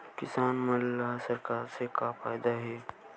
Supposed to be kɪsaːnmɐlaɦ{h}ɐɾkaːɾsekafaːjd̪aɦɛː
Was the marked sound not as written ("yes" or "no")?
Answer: yes